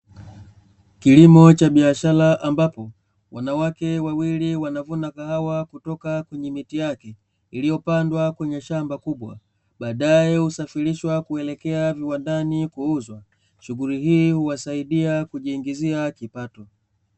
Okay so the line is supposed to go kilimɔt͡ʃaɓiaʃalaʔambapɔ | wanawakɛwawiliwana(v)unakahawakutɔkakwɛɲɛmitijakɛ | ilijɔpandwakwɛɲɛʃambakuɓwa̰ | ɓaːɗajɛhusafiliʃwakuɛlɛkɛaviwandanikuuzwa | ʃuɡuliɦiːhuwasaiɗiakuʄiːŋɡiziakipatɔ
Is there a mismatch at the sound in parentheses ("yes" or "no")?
no